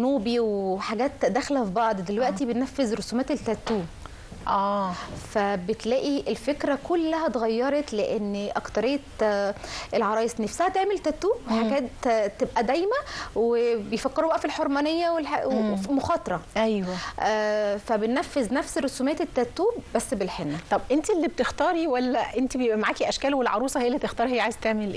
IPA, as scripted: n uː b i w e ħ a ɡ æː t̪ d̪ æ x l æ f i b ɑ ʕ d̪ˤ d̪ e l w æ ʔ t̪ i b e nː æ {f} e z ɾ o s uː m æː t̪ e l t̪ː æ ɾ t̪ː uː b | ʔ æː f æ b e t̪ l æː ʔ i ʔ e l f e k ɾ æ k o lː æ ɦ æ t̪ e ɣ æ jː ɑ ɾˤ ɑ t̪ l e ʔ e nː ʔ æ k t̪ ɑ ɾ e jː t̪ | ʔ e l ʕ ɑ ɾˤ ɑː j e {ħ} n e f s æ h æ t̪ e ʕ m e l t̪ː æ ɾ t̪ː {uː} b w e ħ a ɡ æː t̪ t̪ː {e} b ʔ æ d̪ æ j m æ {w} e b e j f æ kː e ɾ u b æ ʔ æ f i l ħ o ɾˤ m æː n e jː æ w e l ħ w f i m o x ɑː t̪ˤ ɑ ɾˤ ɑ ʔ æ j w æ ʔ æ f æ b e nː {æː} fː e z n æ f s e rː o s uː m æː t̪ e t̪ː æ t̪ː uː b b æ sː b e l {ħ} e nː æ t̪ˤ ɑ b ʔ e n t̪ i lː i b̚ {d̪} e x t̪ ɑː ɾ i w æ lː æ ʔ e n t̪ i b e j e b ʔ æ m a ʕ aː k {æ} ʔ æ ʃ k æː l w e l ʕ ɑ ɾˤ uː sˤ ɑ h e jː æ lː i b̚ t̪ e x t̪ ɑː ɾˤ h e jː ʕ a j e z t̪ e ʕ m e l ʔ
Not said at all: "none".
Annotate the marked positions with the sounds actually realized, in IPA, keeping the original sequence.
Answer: fː, s, uː, e, w, æ, ħ, t̪, i

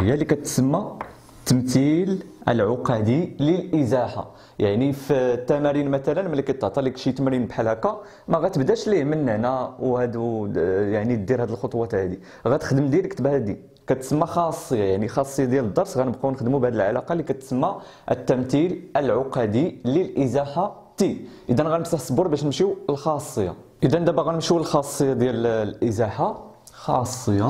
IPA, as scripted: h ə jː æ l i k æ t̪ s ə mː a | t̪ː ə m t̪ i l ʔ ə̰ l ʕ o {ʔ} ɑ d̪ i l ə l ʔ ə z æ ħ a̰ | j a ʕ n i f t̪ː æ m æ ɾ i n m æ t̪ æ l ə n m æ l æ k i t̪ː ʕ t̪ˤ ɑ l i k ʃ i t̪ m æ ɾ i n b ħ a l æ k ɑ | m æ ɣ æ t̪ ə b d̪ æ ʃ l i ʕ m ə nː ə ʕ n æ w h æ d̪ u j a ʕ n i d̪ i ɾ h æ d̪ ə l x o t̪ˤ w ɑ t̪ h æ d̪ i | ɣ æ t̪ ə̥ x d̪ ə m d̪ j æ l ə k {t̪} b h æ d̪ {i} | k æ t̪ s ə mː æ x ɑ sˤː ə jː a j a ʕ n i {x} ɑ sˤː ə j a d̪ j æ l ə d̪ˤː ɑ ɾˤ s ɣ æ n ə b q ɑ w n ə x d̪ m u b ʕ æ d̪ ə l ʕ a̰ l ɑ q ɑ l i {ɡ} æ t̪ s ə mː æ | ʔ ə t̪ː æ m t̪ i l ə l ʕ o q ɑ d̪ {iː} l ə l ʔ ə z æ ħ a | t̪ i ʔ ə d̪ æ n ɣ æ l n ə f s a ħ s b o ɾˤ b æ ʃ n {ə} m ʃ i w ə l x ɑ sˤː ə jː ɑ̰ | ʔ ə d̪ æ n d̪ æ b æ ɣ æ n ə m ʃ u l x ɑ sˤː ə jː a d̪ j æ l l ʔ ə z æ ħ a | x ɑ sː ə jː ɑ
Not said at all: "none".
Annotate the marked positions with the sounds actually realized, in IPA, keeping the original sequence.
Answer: q, t̪, i, x, k, i, ə

